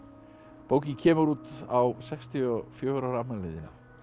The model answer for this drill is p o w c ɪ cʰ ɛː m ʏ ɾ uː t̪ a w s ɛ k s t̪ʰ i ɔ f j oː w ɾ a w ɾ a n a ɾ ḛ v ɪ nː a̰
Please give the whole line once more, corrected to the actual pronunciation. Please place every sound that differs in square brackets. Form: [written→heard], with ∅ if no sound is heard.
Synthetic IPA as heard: p o w c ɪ cʰ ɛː m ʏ ɾ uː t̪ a w s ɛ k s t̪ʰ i ɔ f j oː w ɾ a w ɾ a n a [ɾ→l] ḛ [v→ð] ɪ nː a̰